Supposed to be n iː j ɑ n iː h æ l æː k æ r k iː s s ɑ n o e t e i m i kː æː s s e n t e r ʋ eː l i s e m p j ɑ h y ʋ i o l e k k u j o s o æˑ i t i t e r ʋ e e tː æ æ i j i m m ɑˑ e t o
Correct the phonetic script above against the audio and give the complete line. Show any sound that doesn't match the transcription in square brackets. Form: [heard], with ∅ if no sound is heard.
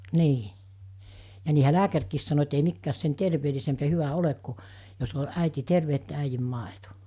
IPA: n iː j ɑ n iː h æ l æː k æ r k iː s s ɑ n o e t e i m i kː æː s s e n t e r ʋ eː l i s e m p j ɑ h y ʋ [æ] o l e k k u j o s o æˑ i t i t e r ʋ e e tː æ æ i j i m m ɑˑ e t o

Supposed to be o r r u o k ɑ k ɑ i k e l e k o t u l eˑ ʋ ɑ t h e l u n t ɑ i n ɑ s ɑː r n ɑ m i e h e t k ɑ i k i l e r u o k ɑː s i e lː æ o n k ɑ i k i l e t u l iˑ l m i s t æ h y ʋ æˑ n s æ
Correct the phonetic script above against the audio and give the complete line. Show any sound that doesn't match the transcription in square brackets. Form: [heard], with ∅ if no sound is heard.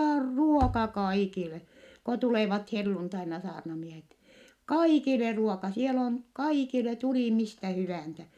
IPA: o r r u o k ɑ k ɑ i k [i] l e k o t u l eˑ ʋ ɑ t h e [lː] u n t ɑ i n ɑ s ɑː r n ɑ m i e h e t k ɑ i k i l e r u o k [ɑ] s i e [l] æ o n k ɑ i k i l e t u l iˑ [∅] m i s t æ h y ʋ æˑ n s æ

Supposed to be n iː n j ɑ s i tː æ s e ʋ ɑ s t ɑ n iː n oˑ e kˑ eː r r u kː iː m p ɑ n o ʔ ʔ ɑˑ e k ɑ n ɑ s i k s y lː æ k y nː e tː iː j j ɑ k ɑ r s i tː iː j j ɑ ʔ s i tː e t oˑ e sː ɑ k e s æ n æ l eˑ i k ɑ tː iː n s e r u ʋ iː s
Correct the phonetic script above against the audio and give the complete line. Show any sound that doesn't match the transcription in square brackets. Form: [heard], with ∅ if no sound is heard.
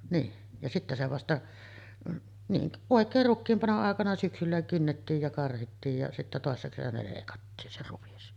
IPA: n iː n j ɑ s i tː æ s e ʋ ɑ s t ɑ n iː n oˑ e kˑ eː r r u kː iː m p ɑ n o ʔ ʔ ɑˑ e k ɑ n ɑ s [y] k s y lː æ k y nː e tː iː j j ɑ k ɑ r [h] i tː iː j j ɑ [∅] s i tː [æ] t oˑ e sː ɑ k e s æ n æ l eˑ i k ɑ tː iː n s e r u ʋ [i] s

